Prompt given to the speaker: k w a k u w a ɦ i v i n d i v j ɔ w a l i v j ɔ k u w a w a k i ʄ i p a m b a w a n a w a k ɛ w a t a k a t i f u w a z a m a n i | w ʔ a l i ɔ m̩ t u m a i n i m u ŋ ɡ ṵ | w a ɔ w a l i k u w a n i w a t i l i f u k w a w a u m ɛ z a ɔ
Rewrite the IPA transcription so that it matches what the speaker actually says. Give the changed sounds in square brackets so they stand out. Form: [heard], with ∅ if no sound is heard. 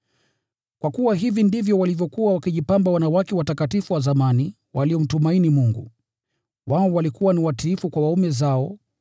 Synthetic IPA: k w a k u w a ɦ i v i n d i v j ɔ w a l i v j ɔ k u w a w a k i ʄ i p a m b a w a n a w a k ɛ w a t a k a t i f u w a z a m a n i | w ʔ a l i ɔ m̩ t u m a i n i m u ŋ ɡ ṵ | w a ɔ w a l i k u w a n i w a t i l i f u k w a w a u m ɛ z a ɔ